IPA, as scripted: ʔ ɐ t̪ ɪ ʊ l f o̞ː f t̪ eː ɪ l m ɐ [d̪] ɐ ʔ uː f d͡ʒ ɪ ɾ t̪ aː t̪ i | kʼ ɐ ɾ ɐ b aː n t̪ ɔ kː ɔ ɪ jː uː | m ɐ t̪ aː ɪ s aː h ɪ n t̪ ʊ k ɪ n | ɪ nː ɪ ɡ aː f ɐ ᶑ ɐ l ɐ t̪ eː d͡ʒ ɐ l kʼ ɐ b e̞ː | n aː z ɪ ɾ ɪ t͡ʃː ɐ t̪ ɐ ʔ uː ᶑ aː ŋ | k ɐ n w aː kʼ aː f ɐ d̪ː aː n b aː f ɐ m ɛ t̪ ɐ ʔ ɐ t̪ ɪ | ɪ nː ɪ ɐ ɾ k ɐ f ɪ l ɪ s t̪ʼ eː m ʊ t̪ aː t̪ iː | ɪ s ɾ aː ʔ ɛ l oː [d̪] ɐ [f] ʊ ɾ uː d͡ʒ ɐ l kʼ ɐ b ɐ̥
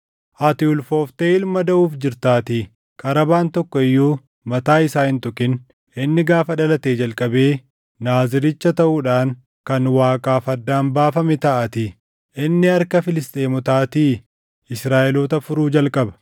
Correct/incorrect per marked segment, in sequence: correct, incorrect: t̪, correct

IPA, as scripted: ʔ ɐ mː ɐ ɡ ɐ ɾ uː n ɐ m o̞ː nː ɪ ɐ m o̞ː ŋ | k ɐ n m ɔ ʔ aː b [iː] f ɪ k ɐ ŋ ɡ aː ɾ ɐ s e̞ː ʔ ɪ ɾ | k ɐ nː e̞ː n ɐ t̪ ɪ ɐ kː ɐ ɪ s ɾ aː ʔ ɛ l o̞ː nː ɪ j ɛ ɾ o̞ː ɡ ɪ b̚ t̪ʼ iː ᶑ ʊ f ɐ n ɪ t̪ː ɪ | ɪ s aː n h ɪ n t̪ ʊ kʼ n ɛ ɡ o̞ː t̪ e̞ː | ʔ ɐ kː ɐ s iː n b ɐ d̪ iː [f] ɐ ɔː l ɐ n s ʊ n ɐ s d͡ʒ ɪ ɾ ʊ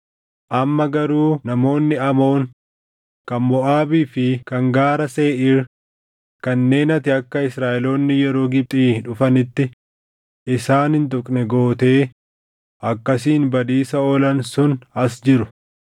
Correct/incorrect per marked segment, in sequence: correct, incorrect: s

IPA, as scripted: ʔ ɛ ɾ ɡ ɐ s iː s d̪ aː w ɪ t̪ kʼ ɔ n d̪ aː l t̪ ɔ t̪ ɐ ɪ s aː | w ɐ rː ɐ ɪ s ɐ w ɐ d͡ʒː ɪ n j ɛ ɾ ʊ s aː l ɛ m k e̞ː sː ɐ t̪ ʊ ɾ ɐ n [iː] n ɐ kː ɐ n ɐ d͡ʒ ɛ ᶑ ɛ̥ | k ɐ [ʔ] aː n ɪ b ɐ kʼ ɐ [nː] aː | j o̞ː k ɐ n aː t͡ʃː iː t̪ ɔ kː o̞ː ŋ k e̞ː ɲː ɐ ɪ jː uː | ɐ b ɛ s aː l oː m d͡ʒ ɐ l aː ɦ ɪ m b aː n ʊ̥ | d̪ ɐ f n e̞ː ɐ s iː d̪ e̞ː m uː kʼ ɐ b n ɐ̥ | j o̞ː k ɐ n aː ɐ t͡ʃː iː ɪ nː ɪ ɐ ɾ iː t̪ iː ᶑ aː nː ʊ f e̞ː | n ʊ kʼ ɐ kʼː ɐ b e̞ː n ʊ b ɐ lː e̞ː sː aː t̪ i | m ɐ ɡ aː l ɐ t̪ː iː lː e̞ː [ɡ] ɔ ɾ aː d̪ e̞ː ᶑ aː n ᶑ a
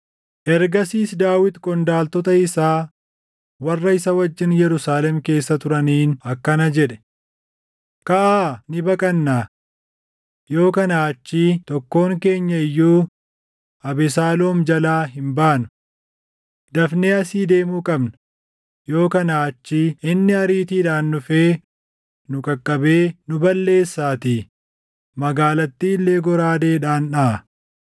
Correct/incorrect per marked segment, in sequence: correct, correct, correct, correct

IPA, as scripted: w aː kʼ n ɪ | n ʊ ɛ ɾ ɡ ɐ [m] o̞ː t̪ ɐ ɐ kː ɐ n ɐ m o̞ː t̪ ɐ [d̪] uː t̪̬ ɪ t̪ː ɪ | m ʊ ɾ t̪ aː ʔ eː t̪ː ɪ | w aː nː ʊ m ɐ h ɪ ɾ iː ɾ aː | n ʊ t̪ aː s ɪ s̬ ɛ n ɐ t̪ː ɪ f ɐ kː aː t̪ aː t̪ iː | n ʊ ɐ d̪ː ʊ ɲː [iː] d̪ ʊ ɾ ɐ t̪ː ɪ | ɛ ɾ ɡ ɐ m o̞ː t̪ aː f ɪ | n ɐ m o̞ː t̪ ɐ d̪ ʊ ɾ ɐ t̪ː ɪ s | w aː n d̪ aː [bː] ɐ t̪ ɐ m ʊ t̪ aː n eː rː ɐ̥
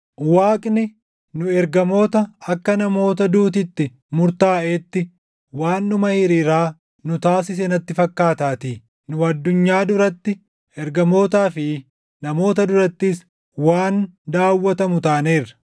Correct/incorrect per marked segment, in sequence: correct, correct, incorrect: aː, incorrect: wː

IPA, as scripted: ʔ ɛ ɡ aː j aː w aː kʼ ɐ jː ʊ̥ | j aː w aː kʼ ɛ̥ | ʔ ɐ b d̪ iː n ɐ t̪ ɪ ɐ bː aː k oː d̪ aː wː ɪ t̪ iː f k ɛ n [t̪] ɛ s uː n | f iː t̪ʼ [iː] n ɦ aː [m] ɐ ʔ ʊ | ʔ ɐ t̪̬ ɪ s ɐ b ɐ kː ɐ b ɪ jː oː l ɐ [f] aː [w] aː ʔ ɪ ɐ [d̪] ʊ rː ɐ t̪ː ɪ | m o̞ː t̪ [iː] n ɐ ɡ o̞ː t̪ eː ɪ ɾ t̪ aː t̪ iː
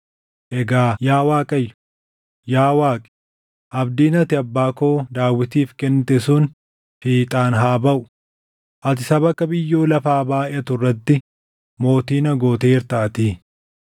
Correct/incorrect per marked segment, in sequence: correct, incorrect: aː, incorrect: b, correct, incorrect: b, incorrect: t̪, correct

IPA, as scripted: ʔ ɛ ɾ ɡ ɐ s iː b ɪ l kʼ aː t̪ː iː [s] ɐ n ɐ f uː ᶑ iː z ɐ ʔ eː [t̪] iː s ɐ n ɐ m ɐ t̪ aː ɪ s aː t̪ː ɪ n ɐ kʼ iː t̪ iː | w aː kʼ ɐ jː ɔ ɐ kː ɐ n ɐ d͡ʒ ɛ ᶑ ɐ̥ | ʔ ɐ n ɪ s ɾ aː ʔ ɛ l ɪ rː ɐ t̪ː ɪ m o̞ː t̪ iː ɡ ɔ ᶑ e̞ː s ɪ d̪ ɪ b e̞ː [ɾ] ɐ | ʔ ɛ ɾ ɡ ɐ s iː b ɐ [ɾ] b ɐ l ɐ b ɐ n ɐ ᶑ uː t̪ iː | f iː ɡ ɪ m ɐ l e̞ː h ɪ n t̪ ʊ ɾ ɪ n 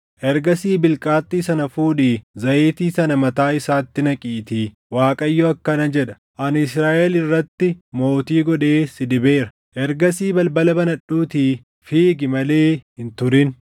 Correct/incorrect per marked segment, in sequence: correct, correct, correct, incorrect: l

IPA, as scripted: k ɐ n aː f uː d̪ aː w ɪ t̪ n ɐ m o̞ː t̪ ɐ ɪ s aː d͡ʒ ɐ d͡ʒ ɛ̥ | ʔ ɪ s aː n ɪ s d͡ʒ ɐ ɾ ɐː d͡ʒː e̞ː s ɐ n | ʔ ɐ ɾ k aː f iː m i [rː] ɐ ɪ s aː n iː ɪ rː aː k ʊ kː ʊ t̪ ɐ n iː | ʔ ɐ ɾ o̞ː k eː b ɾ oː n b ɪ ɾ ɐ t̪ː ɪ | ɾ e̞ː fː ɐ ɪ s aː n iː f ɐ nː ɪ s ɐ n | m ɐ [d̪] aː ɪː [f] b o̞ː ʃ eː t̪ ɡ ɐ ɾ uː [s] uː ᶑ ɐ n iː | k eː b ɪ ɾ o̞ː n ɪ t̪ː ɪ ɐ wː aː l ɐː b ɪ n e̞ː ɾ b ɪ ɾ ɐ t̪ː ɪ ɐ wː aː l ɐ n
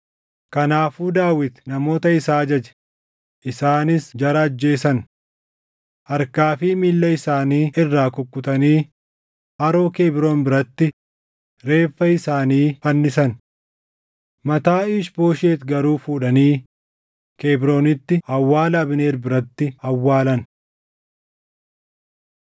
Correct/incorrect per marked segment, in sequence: incorrect: lː, incorrect: t̪, incorrect: ʃ, incorrect: f

